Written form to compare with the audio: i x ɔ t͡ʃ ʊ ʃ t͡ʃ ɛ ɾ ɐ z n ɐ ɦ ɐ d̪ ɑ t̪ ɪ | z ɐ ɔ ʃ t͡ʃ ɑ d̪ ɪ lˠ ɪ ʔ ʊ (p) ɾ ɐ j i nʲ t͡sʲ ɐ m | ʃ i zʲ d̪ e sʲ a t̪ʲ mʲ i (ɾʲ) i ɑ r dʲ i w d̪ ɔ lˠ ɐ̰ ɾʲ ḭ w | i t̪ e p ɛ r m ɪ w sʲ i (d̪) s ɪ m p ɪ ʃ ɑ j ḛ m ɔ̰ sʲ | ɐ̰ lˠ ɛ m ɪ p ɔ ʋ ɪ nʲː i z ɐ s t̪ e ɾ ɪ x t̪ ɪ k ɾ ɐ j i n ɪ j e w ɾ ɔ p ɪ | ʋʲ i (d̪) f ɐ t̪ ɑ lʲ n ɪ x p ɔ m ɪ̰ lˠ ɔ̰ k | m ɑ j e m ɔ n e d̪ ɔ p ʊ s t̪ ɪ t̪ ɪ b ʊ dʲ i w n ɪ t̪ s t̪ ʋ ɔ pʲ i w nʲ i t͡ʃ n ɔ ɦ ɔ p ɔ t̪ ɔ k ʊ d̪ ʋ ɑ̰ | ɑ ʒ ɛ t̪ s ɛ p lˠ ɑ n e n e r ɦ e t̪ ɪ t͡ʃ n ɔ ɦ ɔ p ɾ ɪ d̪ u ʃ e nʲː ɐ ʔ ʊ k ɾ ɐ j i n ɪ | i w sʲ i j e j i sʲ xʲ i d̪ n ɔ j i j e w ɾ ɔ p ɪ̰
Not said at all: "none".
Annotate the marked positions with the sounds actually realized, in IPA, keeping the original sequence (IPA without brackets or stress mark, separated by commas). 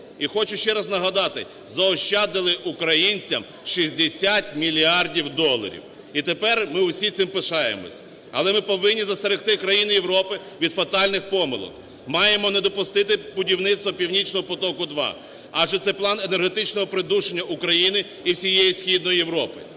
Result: k, lʲ, t̪, d̪